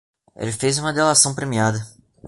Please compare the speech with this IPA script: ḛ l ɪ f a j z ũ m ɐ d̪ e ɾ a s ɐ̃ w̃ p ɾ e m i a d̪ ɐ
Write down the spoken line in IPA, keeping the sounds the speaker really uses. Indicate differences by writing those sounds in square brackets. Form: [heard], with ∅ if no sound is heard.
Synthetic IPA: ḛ l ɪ f [e] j z ũ m ɐ d̪ e [l] a s ɐ̃ w̃ p ɾ e m i a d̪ ɐ